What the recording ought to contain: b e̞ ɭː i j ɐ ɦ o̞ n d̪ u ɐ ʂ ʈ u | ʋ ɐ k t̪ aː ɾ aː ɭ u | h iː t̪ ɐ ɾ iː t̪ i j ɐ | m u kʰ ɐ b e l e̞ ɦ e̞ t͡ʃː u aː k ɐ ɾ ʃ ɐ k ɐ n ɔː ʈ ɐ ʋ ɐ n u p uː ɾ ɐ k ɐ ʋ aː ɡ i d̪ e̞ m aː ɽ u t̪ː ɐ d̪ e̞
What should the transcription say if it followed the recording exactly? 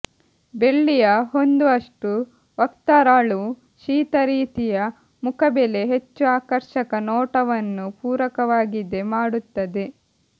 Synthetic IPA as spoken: b e̞ ɭː i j ɐ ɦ o̞ n d̪ u ɐ ʂ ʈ u | ʋ ɐ k t̪ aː ɾ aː ɭ u | ʃ iː t̪ ɐ ɾ iː t̪ i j ɐ | m u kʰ ɐ b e l e̞ ɦ e̞ t͡ʃː u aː k ɐ ɾ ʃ ɐ k ɐ n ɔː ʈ ɐ ʋ ɐ nː u p uː ɾ ɐ k ɐ ʋ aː ɡ i d̪ e̞ m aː ɽ u t̪ː ɐ d̪ e̞